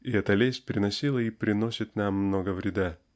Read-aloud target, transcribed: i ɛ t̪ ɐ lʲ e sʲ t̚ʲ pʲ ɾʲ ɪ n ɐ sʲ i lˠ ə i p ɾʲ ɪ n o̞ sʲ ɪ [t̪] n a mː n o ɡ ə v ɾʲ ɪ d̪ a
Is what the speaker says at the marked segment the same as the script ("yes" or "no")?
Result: yes